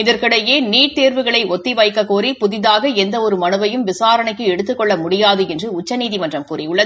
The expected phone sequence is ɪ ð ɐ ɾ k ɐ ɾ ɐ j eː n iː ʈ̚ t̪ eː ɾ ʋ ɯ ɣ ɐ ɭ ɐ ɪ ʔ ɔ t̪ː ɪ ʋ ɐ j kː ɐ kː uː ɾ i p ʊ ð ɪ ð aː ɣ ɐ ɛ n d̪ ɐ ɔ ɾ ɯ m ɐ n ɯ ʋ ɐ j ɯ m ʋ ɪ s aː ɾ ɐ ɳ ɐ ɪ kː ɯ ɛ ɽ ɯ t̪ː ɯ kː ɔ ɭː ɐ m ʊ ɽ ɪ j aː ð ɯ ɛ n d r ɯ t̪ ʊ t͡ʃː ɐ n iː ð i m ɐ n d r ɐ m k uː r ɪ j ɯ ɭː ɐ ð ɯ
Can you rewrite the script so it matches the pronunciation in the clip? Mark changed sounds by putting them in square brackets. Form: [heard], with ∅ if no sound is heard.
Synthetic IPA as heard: ɪ ð ɐ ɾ k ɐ [ɽ] ɐ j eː n iː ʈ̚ t̪ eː ɾ ʋ ɯ ɣ ɐ ɭ ɐ ɪ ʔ ɔ t̪ː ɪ ʋ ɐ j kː ɐ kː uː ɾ i p ʊ ð ɪ ð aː ɣ ɐ ɛ n d̪ ɐ ɔ ɾ ɯ m ɐ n ɯ ʋ ɐ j ɯ m ʋ ɪ s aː ɾ ɐ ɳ ɐ ɪ kː ɯ ɛ ɽ ɯ t̪ː ɯ kː ɔ ɭː ɐ m ʊ ɽ ɪ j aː ð ɯ ɛ n d r ɯ [∅] ʊ t͡ʃː ɐ n iː ð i m ɐ n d r ɐ m k uː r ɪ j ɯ ɭː ɐ ð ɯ